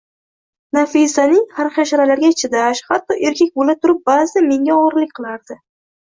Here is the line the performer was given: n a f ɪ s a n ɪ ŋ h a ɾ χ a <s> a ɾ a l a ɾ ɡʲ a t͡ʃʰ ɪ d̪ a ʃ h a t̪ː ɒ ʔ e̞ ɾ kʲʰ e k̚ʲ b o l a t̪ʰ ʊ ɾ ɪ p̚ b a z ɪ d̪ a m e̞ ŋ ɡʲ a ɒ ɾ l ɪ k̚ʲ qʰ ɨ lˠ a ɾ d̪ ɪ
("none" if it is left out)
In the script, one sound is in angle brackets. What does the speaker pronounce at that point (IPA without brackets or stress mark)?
ʃ